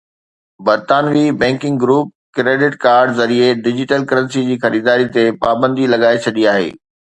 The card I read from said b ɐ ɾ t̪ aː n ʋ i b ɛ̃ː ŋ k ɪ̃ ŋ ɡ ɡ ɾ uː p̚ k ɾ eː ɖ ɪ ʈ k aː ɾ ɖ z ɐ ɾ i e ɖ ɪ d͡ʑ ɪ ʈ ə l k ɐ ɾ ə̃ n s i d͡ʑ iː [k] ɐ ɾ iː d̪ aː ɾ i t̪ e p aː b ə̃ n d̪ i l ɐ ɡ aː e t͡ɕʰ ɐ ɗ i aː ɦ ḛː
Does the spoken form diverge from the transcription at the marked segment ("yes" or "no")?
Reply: yes